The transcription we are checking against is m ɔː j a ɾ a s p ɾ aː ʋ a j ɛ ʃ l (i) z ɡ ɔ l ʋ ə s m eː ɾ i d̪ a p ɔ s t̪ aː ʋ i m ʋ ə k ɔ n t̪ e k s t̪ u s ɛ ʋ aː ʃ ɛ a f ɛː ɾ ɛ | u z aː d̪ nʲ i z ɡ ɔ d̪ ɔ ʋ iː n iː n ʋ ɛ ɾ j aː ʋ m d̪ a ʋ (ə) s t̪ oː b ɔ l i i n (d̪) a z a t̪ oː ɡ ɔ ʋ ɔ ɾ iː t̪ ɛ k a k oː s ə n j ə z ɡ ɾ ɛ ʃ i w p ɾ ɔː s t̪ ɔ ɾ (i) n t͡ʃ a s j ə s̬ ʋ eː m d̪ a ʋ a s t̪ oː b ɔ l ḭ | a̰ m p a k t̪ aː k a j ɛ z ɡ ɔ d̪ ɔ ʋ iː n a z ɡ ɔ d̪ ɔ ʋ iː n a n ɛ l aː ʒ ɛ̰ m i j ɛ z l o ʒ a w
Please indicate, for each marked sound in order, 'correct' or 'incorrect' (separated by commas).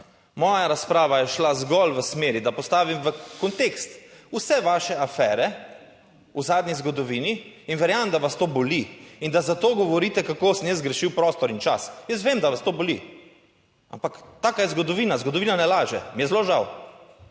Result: incorrect, incorrect, correct, correct